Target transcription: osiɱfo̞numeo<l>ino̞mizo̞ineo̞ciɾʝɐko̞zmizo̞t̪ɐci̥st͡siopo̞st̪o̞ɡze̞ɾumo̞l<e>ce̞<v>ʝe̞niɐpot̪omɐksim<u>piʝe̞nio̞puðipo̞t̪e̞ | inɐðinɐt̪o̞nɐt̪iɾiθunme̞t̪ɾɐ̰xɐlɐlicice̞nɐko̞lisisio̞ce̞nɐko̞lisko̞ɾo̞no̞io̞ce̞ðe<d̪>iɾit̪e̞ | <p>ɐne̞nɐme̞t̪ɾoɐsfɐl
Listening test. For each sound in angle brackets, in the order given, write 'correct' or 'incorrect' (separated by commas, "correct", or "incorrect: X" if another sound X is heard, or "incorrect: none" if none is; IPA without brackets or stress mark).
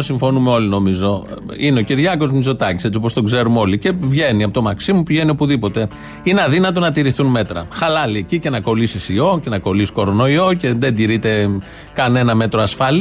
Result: correct, incorrect: i, correct, correct, correct, incorrect: k